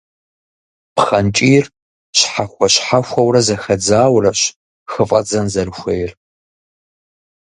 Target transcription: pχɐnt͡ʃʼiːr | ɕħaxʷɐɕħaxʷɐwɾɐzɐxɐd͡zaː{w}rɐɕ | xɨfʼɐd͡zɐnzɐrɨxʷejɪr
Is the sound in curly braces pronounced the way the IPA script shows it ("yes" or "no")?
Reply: yes